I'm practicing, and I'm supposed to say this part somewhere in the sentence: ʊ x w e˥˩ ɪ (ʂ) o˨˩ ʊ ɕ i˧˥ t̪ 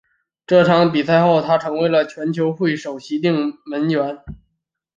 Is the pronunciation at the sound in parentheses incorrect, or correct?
correct